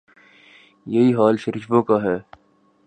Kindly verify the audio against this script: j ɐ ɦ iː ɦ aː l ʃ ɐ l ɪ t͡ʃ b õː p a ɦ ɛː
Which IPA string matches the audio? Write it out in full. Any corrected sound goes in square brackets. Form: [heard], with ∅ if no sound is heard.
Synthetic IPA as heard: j ɐ ɦ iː ɦ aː l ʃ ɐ [ɾ] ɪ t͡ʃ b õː [k] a ɦ ɛː